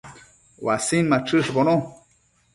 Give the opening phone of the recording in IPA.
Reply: w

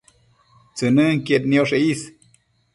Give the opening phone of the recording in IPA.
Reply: t͡s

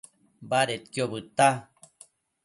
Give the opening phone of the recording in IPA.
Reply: b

